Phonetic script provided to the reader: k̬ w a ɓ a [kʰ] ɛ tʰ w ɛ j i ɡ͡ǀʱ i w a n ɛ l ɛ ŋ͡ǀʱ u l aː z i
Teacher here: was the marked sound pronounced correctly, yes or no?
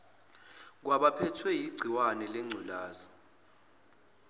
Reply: no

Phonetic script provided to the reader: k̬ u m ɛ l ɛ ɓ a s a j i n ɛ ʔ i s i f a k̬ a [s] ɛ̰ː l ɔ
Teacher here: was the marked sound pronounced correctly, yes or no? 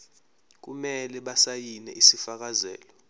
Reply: no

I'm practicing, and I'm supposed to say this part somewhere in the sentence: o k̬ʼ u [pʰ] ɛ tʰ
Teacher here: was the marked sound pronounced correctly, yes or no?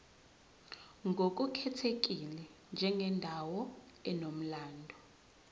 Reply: no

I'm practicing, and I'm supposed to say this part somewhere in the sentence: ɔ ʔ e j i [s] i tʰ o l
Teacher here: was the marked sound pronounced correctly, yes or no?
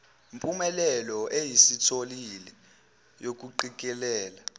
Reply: yes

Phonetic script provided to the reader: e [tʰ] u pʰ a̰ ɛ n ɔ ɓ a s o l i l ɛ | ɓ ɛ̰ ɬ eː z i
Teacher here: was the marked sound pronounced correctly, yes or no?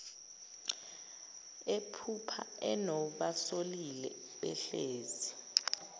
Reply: no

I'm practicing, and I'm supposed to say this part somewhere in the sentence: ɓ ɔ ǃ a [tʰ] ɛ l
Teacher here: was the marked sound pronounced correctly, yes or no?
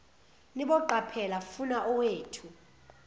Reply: no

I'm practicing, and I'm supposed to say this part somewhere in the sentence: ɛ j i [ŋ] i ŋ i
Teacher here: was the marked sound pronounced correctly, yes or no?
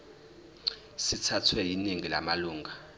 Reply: no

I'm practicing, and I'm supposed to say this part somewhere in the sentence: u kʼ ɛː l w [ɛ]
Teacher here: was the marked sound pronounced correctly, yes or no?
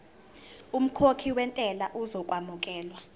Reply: no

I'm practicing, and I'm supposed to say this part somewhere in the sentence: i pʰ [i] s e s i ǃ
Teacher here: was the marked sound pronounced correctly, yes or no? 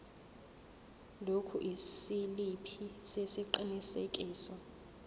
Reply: yes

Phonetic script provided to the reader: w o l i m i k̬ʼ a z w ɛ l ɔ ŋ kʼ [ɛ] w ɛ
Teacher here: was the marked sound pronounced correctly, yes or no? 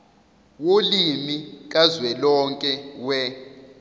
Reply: yes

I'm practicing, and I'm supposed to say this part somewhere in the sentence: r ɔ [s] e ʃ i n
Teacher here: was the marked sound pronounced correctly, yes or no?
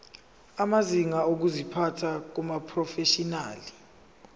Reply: no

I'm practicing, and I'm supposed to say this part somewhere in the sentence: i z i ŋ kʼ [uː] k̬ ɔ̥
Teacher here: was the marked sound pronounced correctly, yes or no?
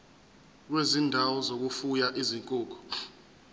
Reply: yes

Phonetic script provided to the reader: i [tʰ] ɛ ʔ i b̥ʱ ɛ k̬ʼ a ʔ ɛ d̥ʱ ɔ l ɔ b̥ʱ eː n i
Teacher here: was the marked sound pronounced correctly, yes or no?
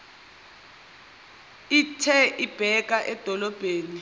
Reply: yes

